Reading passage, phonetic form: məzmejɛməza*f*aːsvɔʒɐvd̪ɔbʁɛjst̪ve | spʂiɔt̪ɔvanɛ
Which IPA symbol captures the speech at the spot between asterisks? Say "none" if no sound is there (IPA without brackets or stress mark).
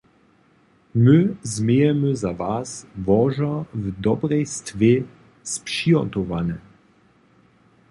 v